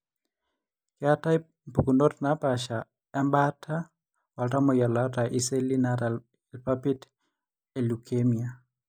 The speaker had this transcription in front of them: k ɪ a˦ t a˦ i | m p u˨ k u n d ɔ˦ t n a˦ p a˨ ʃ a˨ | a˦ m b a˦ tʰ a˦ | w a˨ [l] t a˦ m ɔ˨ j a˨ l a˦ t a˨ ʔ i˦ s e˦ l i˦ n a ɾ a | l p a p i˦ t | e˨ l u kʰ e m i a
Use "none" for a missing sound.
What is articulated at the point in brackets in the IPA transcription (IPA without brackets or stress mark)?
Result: l